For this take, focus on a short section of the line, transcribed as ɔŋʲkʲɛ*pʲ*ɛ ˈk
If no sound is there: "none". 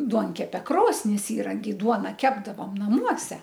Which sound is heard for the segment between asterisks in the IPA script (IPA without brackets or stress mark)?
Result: pʲ